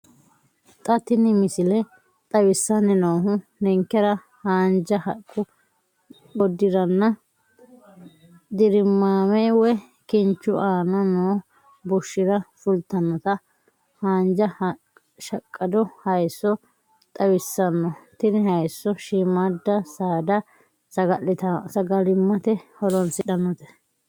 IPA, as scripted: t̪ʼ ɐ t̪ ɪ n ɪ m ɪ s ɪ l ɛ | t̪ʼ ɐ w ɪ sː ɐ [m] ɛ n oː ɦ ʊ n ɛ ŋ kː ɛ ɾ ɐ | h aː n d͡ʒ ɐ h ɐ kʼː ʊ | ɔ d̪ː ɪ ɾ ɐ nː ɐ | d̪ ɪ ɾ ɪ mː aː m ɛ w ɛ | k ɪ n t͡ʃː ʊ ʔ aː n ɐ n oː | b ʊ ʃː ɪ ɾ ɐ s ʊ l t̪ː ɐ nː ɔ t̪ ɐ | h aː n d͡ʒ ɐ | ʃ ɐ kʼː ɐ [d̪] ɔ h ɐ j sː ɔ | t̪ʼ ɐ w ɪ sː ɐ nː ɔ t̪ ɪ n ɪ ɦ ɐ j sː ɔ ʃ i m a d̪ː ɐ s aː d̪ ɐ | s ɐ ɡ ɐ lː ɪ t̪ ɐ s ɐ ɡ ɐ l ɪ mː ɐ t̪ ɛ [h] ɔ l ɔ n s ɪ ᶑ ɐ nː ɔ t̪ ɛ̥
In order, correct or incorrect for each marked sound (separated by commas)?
incorrect, correct, correct